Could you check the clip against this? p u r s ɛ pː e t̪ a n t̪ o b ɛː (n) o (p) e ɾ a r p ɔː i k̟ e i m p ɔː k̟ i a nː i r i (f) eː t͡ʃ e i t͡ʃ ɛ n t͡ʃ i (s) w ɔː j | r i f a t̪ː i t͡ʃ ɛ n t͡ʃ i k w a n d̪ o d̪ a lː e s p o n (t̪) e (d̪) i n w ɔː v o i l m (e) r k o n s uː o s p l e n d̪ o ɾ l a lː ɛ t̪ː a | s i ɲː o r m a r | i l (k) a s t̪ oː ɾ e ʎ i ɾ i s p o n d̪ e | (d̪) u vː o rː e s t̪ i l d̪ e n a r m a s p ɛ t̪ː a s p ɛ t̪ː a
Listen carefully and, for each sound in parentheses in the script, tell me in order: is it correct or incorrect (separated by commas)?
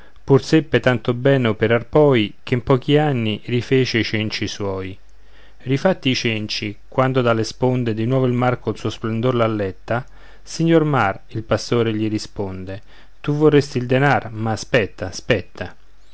correct, correct, correct, correct, incorrect, correct, incorrect, incorrect, incorrect